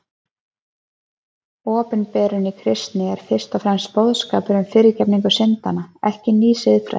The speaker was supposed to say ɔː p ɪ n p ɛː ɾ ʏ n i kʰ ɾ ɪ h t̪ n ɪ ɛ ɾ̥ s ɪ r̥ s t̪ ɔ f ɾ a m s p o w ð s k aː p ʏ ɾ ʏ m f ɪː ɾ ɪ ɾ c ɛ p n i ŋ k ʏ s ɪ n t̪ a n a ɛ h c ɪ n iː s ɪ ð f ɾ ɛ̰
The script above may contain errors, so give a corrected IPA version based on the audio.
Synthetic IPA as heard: ɔː p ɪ n p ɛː ɾ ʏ n i kʰ ɾ ɪ s t̪ n ɪ ɛ ɾ̥ f ɪ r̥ s t̪ ɔ f ɾ ɛ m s p o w ð s k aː p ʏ ɾ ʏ m f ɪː ɾ ɪ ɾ c ɛ p n i ŋ k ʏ s ɪ n t̪ a n a ɛ h c ɪ n iː s ɪ ð f ɾ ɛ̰